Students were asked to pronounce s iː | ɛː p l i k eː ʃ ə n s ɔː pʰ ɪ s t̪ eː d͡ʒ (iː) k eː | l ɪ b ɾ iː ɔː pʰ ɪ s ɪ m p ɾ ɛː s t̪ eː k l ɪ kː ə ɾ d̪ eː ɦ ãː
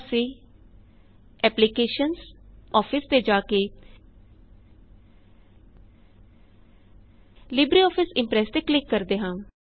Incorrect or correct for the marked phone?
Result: incorrect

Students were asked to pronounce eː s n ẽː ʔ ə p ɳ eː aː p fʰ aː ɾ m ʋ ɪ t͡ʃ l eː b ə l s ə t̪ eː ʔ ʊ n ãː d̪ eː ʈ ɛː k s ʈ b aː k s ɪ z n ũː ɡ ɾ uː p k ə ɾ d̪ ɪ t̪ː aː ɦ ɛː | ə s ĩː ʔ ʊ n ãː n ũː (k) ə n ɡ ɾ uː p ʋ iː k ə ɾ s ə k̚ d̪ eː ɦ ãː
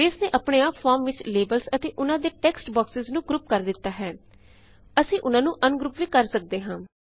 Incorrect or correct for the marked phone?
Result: incorrect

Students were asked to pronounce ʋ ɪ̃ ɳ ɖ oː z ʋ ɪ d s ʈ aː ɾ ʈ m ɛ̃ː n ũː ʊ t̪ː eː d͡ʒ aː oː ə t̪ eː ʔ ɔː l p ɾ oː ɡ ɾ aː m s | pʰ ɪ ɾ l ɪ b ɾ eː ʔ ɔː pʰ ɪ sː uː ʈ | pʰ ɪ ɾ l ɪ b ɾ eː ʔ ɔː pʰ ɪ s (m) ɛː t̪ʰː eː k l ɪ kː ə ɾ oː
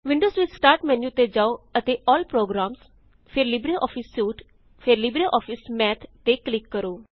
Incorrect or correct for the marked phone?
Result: correct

